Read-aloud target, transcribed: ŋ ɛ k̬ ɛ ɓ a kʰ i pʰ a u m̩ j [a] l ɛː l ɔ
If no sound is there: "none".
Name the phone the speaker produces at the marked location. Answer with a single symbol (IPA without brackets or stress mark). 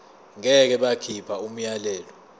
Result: a